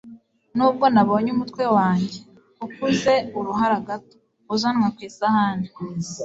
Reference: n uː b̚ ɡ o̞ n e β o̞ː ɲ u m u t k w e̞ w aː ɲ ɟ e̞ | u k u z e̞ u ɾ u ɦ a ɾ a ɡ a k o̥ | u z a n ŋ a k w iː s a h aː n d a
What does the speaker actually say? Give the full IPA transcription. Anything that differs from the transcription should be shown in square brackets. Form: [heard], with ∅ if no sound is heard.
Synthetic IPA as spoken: n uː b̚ ɡ o̞ n [a] β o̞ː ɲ u m u t k w e̞ w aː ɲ ɟ e̞ | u k u z e̞ u ɾ u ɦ a ɾ a ɡ a [t] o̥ | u z a n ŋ a k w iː s a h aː n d [i]